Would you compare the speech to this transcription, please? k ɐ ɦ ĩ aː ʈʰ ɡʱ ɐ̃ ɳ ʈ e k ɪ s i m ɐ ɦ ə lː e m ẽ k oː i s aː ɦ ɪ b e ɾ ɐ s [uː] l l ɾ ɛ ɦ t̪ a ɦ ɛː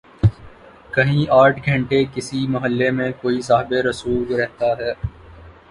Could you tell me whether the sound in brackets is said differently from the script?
no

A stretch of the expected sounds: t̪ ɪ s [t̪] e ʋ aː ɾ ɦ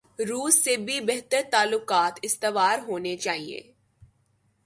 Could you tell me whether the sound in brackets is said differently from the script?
no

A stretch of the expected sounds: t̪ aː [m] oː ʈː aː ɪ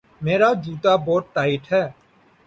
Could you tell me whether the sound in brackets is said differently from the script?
yes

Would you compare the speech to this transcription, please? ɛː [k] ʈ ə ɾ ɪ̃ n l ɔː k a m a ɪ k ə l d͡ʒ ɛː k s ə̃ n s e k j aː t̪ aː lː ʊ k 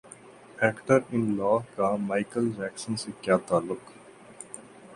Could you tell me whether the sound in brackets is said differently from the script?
no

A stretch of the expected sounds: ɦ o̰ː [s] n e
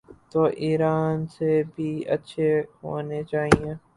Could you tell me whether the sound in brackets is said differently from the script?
yes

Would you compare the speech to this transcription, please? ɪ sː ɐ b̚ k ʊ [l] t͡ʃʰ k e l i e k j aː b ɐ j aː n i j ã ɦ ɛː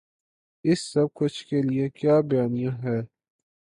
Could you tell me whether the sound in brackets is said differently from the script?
yes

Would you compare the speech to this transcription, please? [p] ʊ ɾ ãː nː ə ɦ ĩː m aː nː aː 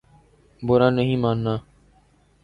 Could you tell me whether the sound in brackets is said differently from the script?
yes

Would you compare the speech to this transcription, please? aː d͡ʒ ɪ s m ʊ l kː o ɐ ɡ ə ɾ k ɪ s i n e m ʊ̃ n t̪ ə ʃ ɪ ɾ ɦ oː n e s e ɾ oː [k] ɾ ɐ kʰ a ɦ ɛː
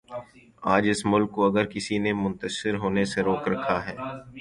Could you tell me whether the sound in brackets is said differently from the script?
no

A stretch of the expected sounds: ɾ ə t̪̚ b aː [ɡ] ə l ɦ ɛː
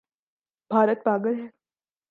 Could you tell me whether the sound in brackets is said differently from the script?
no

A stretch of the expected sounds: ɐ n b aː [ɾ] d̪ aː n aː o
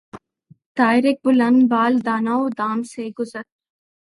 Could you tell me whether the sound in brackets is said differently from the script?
yes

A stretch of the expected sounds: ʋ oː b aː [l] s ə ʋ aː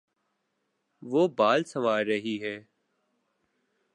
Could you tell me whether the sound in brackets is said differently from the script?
no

